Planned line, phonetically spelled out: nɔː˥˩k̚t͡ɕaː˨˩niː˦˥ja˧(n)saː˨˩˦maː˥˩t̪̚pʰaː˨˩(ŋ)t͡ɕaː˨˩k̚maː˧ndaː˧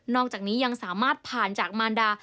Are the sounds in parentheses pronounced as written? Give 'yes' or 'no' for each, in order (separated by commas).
no, no